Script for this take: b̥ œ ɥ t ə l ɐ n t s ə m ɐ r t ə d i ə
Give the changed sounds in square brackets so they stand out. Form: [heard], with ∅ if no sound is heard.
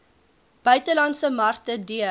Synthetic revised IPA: b̥ œ ɥ t ə l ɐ n t s ə m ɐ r t ə d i ə

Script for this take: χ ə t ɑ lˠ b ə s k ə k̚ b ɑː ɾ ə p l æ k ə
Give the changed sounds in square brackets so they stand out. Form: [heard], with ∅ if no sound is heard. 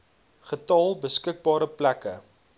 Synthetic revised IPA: χ ə t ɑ lˠ b ə s k ə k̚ b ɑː ɾ ə p l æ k ə

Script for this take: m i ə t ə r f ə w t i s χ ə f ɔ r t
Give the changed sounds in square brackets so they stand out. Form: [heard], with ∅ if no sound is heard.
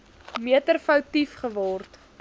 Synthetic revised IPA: m i ə t ə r f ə w t i [f] χ ə [v] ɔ r t

